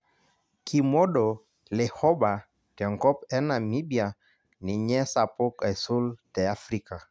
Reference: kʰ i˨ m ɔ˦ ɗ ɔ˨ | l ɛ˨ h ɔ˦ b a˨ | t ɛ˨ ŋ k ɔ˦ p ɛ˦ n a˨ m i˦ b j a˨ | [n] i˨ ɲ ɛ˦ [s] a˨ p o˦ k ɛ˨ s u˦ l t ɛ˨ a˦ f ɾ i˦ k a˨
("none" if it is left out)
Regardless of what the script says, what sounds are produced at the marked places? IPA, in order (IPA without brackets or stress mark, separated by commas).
n, s